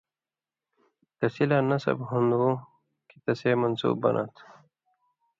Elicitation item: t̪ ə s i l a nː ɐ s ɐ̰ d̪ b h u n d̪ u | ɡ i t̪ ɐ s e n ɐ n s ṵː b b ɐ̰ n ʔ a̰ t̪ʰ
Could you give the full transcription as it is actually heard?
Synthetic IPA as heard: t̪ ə s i l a n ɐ s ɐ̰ b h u n d̪ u | k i t̪ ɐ s e m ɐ n s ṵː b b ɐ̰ n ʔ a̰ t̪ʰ